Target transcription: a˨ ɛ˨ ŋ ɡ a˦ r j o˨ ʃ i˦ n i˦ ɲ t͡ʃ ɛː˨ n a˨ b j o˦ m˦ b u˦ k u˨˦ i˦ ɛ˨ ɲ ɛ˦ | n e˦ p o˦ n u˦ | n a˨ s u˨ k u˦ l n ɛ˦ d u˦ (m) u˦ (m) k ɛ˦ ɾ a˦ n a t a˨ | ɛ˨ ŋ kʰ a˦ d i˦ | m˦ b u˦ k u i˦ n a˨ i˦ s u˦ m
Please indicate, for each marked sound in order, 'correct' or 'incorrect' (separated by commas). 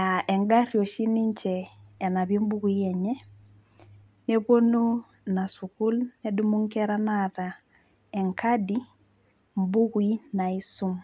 correct, incorrect